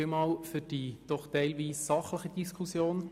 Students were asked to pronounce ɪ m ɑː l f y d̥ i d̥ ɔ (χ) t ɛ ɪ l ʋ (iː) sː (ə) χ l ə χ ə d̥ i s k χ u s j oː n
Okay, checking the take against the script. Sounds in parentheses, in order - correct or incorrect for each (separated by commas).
correct, correct, incorrect